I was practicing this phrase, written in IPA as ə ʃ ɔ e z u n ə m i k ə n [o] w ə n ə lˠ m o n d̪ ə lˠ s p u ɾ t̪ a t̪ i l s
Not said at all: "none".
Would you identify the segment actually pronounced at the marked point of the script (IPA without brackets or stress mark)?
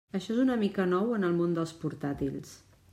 ɔ